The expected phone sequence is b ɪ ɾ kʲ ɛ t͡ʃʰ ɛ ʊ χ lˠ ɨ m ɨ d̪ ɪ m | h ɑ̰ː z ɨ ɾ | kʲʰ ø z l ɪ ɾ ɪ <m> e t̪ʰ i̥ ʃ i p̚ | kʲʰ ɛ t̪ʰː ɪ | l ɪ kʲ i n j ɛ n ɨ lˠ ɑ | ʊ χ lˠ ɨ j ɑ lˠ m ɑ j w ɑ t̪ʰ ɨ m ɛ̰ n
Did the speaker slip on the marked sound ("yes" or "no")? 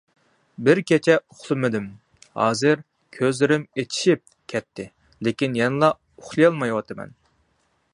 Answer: no